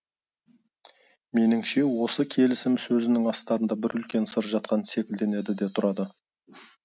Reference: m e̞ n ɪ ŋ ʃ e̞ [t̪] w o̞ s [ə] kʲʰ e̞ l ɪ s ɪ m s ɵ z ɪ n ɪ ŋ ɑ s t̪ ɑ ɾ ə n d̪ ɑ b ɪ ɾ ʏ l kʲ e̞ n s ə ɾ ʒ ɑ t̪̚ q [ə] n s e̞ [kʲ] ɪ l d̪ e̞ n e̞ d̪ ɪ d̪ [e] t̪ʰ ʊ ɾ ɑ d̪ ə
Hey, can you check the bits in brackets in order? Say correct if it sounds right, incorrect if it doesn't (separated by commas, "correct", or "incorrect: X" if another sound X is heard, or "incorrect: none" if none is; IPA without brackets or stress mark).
incorrect: none, correct, incorrect: ɑ, correct, correct